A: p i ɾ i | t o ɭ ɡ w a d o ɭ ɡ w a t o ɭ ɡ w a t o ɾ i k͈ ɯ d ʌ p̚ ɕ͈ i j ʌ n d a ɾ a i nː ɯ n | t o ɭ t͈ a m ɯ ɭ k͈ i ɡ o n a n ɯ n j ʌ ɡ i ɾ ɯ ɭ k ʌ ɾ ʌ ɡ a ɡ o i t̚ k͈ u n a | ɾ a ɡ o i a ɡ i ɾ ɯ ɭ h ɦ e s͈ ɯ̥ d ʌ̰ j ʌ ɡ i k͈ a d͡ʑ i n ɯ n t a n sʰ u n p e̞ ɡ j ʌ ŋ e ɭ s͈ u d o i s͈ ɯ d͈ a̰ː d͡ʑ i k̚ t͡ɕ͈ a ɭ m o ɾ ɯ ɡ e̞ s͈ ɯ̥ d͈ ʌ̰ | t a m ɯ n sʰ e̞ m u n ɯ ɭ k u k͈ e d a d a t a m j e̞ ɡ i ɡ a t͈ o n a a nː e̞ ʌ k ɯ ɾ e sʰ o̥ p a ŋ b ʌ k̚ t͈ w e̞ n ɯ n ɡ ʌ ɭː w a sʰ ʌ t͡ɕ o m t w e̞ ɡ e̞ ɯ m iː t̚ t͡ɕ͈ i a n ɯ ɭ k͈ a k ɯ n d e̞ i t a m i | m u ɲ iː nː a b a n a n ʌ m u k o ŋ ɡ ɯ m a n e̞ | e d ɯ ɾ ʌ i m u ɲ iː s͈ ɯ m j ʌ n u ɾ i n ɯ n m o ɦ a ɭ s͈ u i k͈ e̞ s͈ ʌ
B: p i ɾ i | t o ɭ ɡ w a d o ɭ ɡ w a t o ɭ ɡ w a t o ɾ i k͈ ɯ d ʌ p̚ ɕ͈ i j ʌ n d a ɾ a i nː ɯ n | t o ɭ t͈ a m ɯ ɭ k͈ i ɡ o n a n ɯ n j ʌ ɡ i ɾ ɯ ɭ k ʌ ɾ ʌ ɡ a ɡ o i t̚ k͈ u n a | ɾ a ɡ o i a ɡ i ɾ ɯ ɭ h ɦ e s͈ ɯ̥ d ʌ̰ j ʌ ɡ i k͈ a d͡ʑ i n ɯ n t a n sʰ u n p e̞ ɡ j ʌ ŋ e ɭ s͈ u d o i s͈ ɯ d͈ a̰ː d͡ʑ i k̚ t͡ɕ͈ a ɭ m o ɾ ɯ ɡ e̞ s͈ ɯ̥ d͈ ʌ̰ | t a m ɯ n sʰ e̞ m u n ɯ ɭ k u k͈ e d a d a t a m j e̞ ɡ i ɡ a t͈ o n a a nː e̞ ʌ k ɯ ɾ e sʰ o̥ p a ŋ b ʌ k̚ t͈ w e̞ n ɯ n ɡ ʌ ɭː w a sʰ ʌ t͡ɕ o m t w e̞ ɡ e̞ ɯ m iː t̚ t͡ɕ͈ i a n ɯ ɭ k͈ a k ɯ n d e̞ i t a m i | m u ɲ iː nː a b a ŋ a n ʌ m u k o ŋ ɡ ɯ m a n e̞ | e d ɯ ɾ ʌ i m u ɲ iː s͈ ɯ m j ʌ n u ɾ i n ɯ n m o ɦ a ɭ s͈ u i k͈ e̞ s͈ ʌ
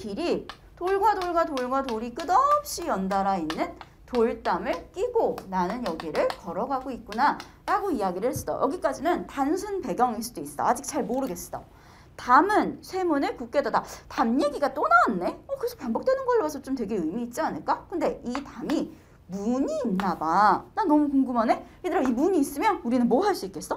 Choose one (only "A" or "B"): A